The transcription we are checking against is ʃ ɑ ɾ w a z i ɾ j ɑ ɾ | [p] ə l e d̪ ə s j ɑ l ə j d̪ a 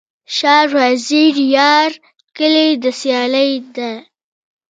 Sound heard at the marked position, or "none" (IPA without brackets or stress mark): k